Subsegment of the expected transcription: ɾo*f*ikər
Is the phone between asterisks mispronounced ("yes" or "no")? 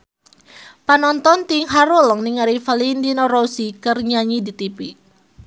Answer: yes